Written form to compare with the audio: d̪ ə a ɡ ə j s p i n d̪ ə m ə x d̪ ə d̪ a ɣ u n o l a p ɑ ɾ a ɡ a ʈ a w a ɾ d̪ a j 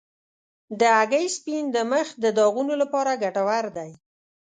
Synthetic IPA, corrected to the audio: d̪ ə a ɡ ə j s p i n d̪ ə m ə x d̪ ə d̪ ɑ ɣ u n o l a p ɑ ɾ a ɡ a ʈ a w a ɾ d̪ a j